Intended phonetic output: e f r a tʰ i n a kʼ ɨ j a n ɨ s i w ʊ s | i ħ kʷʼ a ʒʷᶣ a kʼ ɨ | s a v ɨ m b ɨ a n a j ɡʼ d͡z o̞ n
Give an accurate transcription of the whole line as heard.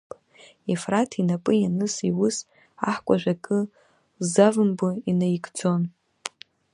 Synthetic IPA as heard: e f r a tʰ i n a pʼ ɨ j a n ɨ s i w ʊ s | a ħ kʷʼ a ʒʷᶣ a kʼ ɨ | z a v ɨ m b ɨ i n a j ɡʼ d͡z o̞ n